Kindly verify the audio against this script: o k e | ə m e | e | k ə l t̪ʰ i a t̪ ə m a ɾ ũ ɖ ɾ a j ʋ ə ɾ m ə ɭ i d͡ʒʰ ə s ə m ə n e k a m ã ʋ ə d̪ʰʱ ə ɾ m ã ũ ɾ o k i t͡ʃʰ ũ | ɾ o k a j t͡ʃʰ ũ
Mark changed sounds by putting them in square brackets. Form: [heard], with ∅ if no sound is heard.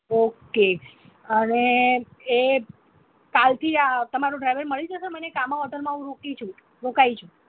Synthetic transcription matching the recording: o k e | ə [n] e | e | k [a] l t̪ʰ i a t̪ ə m a ɾ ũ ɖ ɾ a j ʋ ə ɾ m ə ɭ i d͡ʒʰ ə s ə m ə n e k a m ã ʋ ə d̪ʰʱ ə ɾ m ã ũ ɾ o k i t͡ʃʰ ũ | ɾ o k a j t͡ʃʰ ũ